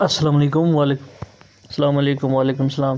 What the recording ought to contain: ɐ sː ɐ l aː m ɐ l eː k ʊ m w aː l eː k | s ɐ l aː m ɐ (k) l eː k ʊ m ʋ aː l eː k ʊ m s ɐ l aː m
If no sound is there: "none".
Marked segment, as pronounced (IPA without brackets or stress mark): none